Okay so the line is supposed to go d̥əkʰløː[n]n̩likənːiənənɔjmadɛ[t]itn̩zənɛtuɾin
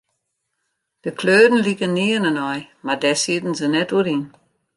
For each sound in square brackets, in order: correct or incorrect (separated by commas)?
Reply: incorrect, incorrect